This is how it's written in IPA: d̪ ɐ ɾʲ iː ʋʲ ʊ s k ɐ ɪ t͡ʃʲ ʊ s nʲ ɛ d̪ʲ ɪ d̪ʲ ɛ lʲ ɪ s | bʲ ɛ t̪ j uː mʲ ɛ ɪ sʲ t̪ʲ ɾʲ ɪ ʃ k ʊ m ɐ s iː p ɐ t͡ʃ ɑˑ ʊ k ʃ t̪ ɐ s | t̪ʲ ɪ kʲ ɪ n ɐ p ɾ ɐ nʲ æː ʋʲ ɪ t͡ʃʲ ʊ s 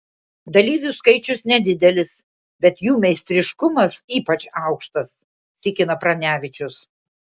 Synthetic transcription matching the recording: d̪ ɐ lʲ iː ʋʲ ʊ s k ɐ ɪ t͡ʃʲ ʊ s nʲ ɛ d̪ʲ ɪ d̪ʲ ɛ lʲ ɪ s | bʲ ɛ t̪ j uː mʲ ɛ ɪ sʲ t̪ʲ ɾʲ ɪ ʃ k ʊ m ɐ s iː p ɐ t͡ʃ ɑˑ ʊ k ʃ t̪ ɐ s | t̪ʲ ɪ kʲ ɪ n ɐ p ɾ ɐ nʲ æː ʋʲ ɪ t͡ʃʲ ʊ s